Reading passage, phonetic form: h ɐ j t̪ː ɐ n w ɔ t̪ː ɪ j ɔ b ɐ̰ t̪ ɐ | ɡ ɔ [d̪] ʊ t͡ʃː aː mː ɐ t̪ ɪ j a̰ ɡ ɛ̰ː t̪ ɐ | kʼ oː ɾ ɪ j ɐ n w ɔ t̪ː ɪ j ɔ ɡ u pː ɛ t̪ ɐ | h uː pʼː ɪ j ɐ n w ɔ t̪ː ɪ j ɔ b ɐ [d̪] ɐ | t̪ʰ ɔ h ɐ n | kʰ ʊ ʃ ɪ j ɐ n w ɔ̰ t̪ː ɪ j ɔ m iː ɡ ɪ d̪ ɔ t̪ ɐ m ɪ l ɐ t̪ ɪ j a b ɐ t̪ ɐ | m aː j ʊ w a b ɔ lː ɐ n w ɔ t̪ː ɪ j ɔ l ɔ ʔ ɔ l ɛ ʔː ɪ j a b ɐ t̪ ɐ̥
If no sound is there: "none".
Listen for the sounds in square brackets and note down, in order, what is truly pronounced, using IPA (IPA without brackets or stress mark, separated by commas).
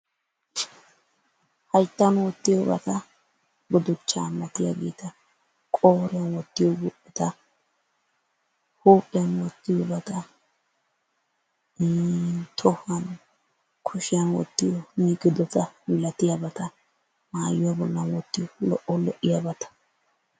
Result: d̪, t̪